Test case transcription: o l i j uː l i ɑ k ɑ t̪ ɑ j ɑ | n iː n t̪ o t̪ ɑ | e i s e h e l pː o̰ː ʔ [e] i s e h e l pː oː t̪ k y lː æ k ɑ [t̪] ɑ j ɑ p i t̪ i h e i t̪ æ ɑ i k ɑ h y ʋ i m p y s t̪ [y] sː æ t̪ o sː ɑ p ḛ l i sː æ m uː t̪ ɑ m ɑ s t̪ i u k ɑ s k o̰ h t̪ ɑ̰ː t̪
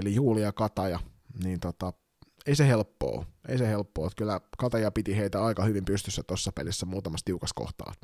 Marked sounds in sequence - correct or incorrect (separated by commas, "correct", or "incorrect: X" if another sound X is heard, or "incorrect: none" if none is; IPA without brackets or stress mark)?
correct, correct, correct